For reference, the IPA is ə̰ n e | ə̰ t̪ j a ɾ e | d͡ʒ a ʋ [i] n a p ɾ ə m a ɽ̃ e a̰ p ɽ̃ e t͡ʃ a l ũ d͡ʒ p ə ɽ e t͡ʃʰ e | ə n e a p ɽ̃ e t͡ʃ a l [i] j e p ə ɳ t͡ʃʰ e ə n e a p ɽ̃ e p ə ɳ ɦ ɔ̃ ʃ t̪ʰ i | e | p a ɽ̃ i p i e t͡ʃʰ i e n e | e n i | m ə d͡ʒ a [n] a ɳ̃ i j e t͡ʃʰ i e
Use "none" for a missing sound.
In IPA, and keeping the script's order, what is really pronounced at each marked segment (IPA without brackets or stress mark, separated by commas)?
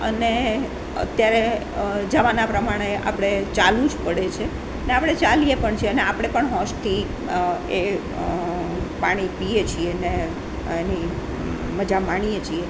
a, i, m